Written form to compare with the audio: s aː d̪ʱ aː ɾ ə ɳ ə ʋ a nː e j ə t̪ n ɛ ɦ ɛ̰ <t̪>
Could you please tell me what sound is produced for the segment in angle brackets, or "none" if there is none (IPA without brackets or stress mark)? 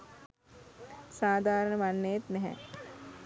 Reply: none